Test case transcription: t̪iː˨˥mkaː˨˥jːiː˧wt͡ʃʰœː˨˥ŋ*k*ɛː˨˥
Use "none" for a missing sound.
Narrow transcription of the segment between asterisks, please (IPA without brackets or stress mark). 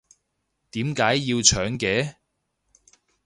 k